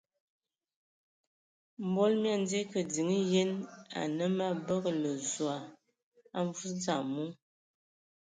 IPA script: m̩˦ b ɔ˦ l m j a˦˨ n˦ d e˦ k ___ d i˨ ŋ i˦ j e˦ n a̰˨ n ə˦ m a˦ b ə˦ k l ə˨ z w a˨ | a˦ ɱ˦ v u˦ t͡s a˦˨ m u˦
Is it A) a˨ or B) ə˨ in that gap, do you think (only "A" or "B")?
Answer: B